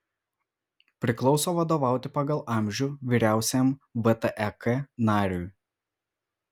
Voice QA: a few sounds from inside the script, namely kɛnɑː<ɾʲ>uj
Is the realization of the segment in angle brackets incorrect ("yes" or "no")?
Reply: no